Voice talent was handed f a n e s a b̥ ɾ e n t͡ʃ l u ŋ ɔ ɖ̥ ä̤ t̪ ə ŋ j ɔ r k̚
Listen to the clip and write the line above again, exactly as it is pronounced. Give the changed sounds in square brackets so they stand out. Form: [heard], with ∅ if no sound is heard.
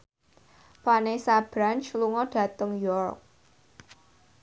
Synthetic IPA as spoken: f a n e s a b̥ ɾ [a] n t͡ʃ l u ŋ ɔ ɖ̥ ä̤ t̪ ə ŋ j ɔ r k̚

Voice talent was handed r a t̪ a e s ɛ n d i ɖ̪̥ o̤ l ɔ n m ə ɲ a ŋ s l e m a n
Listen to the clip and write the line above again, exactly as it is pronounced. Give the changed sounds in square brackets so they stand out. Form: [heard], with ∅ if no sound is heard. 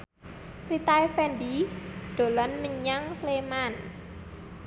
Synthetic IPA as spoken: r [i] t̪ a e [f] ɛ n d i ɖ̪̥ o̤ l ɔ n m ə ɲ a ŋ s l e m a n

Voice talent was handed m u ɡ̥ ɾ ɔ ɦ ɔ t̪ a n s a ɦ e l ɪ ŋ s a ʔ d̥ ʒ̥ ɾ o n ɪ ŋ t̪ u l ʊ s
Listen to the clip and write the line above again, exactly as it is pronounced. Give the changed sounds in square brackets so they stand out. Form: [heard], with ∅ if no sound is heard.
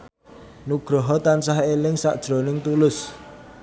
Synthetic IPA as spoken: [n] u ɡ̥ ɾ ɔ ɦ ɔ t̪ a n s a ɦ e l ɪ ŋ s a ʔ d̥ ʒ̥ ɾ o n ɪ ŋ t̪ u l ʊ s

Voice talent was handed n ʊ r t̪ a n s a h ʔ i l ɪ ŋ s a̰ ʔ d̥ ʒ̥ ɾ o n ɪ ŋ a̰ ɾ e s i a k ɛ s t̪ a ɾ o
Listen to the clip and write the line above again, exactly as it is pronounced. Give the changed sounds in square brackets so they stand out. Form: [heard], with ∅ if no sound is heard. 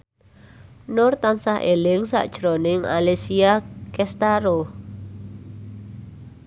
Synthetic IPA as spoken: n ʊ r t̪ a n s a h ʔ [e] l ɪ ŋ s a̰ ʔ d̥ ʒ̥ ɾ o n ɪ ŋ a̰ [l] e s i a k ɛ s t̪ a ɾ o

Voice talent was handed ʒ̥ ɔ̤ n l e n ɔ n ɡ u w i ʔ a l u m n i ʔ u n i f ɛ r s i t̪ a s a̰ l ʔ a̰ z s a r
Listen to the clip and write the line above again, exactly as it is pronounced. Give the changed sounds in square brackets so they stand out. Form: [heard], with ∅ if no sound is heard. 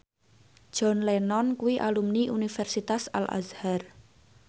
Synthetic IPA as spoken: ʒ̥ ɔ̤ n l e n ɔ n [k] u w i ʔ a l u m n i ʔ u n i f ɛ r s i t̪ a s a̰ l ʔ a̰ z [h] a r

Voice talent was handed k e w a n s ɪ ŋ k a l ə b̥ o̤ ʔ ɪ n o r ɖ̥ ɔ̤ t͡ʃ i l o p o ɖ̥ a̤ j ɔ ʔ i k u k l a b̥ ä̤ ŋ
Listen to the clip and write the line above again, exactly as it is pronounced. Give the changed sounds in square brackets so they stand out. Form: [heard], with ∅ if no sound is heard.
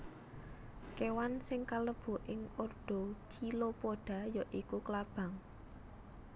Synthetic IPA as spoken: k e w a n s ɪ ŋ k a l ə b̥ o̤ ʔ ɪ [ŋ] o r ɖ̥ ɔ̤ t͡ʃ i l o p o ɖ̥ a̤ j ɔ ʔ i k u k l a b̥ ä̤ ŋ

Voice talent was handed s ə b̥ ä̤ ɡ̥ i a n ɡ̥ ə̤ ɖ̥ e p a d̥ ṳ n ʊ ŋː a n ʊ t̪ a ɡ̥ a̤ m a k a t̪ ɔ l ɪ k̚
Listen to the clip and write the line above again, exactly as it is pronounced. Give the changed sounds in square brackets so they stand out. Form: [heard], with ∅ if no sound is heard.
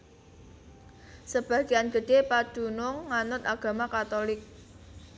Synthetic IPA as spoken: s ə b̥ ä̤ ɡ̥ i a n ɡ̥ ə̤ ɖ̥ e p a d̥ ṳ n ʊ ŋː a n ʊ t̪ a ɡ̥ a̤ m a k a t̪ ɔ l ɪ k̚

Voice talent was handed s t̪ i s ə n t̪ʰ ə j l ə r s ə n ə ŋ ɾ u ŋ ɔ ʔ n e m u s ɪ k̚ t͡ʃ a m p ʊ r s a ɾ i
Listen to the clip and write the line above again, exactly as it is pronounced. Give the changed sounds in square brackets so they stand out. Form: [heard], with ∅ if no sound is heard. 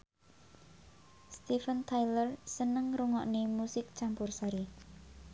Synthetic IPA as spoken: s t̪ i [f] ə n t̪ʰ [a] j l ə r s ə n ə ŋ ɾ u ŋ ɔ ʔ n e m u s ɪ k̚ t͡ʃ a m p ʊ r s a ɾ i

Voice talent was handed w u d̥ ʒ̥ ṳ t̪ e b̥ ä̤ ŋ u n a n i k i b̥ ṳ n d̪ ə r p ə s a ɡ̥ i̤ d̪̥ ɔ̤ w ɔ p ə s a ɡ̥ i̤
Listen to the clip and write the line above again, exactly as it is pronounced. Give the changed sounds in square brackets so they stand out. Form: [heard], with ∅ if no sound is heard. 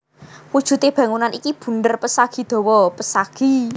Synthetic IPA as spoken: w u d̥ ʒ̥ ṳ t̪ e b̥ ä̤ ŋ u n a n i k i b̥ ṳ n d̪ ə r p ə s a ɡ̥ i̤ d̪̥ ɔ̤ w ɔ p ə s a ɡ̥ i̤

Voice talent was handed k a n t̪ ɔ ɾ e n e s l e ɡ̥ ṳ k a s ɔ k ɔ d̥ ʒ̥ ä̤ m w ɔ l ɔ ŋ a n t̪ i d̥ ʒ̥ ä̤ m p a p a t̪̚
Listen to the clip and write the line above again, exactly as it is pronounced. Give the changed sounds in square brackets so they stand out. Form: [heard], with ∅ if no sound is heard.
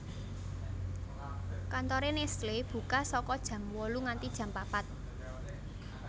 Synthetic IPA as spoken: k a n t̪ ɔ ɾ e n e s l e [b̥] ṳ k a s ɔ k ɔ d̥ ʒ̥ ä̤ m w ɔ l [u] ŋ a n t̪ i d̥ ʒ̥ ä̤ m p a p a t̪̚

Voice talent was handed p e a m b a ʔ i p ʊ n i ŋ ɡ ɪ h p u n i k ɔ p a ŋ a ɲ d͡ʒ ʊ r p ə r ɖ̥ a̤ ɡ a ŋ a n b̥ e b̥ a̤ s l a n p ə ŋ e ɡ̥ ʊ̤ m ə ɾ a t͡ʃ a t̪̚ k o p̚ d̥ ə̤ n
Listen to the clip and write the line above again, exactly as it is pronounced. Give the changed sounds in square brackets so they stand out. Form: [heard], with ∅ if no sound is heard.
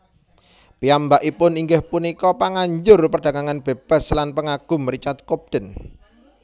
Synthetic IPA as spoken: p [i] a m b a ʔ i p ʊ n i ŋ ɡ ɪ h p u n i k ɔ p a ŋ a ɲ d͡ʒ ʊ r p ə r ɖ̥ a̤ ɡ a ŋ a n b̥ e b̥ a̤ s l a n p ə ŋ [a] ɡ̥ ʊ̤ m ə ɾ [i] t͡ʃ a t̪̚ k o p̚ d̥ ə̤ n

